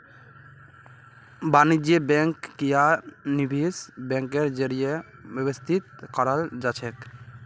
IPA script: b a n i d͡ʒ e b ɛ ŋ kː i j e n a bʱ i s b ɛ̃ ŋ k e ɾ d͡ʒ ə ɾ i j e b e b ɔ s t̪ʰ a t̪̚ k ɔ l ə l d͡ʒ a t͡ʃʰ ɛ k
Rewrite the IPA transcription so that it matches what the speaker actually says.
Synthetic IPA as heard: b a n i d͡ʒ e b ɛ ŋ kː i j a n i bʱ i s b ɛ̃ ŋ k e ɾ d͡ʒ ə ɾ i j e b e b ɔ s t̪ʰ i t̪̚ k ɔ ɾ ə l d͡ʒ a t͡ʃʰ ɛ k